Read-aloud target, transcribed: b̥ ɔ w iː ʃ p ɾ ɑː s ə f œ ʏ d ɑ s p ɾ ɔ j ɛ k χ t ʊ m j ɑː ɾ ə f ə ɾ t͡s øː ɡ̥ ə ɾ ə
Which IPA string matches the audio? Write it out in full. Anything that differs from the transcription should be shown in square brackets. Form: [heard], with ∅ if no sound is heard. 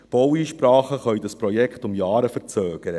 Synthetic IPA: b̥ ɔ w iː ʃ p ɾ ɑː [χ] ə [χ] œ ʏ d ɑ s p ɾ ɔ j ɛ k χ t ʊ m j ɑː ɾ ə f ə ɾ t͡s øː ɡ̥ ə ɾ ə